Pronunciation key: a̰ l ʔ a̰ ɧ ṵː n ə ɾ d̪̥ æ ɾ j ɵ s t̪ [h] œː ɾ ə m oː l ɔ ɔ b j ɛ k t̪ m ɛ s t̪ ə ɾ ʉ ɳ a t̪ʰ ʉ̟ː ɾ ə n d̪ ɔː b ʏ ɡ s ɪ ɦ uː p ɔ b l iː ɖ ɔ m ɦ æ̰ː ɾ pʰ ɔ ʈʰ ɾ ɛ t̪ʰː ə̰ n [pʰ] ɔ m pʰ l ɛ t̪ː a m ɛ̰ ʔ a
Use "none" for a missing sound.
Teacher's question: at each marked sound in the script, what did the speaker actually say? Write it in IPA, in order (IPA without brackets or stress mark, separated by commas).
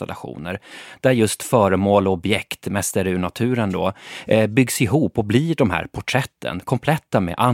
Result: f, kʰ